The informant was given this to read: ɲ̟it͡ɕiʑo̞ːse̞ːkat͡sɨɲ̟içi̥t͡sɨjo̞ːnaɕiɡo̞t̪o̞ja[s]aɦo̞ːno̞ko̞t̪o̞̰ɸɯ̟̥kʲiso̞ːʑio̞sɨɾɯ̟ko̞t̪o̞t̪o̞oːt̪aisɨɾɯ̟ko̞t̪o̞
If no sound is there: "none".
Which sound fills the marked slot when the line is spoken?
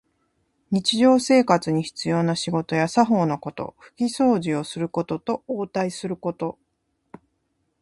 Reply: s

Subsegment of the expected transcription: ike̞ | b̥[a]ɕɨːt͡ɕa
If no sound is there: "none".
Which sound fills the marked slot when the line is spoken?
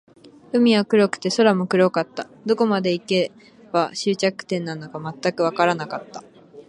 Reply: a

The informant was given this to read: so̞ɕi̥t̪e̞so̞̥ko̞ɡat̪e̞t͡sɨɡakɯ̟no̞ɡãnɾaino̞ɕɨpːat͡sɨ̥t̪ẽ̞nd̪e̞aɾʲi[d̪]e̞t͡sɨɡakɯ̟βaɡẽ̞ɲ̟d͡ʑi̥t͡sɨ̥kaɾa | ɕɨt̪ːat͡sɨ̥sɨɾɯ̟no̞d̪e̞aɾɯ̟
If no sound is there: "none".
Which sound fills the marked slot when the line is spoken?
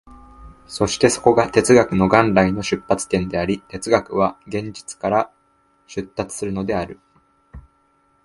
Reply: t̪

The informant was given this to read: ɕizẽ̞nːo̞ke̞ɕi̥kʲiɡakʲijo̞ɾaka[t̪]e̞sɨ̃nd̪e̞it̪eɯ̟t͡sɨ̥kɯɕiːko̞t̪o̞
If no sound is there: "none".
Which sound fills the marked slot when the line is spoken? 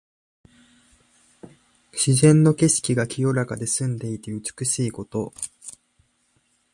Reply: d̪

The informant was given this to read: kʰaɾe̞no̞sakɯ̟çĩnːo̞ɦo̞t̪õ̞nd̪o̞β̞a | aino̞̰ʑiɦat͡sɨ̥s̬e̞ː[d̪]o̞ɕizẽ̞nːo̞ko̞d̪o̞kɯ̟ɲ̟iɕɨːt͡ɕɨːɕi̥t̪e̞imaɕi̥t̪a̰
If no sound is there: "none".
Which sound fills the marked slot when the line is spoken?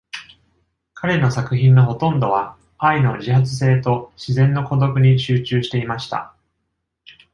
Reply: t̪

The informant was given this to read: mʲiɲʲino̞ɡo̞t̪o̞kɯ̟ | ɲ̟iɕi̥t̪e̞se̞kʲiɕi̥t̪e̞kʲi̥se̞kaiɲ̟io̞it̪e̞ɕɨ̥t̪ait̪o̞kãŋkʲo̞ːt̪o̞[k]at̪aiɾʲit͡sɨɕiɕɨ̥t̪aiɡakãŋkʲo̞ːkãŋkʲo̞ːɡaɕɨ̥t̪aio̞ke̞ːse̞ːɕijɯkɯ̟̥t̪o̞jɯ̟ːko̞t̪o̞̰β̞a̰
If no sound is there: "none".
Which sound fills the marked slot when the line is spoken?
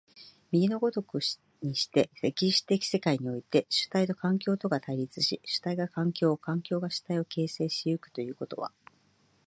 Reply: ɡ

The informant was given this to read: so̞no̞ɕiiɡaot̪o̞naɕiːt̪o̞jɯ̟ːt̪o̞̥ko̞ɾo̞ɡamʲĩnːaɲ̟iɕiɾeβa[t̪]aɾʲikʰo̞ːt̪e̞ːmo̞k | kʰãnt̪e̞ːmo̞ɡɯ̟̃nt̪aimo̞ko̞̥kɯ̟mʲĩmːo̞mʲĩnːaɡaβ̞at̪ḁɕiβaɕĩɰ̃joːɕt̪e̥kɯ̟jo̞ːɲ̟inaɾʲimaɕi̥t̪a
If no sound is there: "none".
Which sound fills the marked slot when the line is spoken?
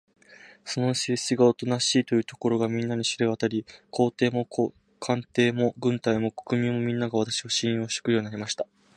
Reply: t̪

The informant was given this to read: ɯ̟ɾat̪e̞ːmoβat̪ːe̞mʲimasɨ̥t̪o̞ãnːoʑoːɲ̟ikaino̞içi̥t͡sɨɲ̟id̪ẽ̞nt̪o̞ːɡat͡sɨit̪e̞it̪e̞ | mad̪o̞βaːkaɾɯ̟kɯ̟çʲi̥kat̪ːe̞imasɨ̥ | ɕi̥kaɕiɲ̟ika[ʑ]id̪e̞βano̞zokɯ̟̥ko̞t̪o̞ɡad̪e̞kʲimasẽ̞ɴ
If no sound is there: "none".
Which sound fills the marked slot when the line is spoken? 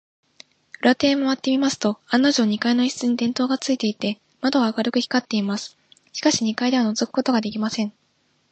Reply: none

